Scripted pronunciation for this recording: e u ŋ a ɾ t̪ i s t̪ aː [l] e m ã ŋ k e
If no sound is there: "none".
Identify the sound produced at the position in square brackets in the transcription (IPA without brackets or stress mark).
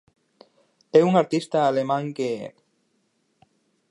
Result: l